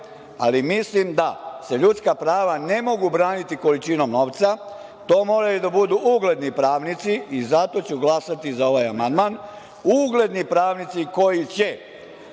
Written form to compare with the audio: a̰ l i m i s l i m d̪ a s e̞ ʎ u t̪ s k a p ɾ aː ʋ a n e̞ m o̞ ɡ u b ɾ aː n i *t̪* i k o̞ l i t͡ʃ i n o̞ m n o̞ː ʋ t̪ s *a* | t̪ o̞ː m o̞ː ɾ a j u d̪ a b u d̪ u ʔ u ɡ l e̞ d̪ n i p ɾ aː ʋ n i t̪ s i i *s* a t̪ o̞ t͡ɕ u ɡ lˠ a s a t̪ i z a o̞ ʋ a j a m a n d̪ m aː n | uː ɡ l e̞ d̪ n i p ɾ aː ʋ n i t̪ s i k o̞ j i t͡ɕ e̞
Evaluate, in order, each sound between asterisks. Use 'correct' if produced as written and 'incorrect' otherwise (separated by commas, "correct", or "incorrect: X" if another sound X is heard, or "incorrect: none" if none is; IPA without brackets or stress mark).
correct, correct, incorrect: z